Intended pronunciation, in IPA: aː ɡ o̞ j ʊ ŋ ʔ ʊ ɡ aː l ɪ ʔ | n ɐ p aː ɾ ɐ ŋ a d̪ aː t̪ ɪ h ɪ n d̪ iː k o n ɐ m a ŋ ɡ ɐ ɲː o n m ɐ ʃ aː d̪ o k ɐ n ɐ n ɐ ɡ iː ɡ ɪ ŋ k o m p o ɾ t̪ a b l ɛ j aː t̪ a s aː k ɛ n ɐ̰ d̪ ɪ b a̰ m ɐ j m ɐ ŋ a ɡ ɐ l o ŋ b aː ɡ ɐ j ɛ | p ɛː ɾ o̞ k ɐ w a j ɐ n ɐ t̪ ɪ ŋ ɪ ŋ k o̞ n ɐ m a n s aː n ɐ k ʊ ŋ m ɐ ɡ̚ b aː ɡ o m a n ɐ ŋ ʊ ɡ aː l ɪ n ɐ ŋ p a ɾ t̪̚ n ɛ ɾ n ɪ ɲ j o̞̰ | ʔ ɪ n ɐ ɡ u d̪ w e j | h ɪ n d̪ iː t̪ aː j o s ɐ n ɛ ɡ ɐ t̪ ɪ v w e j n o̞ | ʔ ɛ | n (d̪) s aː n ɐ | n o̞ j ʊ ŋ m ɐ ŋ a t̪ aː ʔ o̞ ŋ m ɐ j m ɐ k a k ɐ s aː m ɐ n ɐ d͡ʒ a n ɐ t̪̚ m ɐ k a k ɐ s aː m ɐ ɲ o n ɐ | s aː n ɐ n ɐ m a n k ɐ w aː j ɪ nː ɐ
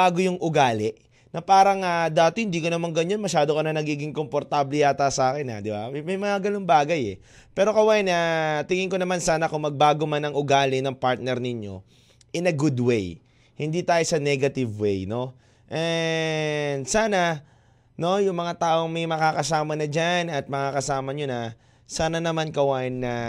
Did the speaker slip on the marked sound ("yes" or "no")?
no